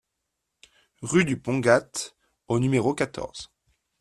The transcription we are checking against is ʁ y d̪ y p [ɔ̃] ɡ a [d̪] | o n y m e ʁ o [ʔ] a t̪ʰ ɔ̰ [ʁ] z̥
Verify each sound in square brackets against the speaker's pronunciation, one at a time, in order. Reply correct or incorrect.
correct, incorrect, incorrect, correct

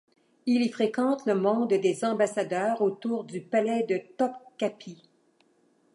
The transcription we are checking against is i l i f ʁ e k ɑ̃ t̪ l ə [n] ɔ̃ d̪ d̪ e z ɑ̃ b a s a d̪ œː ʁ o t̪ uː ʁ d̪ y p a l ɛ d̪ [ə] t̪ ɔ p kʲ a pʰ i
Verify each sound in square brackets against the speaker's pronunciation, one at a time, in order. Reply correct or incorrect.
incorrect, correct

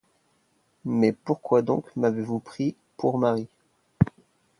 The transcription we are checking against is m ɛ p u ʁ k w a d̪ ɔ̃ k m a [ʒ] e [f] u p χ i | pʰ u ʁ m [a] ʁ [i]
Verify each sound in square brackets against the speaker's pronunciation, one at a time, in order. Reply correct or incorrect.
incorrect, incorrect, correct, correct

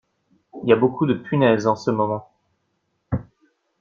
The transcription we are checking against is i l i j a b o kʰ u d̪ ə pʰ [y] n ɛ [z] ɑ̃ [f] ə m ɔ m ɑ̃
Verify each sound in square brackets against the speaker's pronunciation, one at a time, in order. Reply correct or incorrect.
correct, correct, incorrect

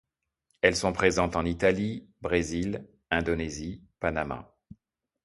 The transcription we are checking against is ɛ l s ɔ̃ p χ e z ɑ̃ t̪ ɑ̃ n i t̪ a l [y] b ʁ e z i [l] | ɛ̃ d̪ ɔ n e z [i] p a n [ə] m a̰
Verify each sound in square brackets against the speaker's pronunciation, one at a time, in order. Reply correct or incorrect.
incorrect, correct, correct, incorrect

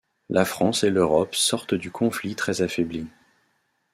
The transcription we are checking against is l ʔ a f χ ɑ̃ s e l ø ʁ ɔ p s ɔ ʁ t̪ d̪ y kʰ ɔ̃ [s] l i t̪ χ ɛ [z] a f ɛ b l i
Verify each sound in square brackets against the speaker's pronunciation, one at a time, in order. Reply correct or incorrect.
incorrect, correct

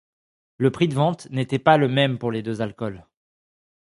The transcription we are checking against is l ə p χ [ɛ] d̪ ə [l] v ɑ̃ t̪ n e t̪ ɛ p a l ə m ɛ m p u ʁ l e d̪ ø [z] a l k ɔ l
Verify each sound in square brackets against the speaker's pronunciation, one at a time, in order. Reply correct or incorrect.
incorrect, incorrect, correct

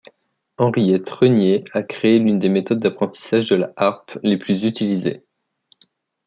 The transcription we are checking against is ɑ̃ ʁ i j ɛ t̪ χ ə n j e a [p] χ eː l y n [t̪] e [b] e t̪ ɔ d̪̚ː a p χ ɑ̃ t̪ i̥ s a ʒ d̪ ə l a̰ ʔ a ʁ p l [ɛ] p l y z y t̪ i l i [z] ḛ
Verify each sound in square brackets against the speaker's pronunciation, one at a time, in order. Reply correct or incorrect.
incorrect, incorrect, incorrect, incorrect, correct

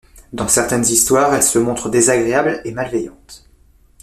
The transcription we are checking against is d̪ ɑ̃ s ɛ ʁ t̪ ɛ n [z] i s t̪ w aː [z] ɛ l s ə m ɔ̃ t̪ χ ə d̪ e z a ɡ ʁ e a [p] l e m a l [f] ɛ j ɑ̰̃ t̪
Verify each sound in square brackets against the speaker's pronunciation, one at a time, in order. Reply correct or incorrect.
correct, incorrect, incorrect, incorrect

